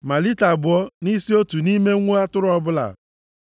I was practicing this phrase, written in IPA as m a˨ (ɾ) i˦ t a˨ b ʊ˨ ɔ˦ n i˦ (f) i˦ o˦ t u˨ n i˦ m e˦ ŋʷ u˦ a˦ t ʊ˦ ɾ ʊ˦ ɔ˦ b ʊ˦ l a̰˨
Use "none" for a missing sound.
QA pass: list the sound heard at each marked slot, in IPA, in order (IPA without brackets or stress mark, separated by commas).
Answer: l, s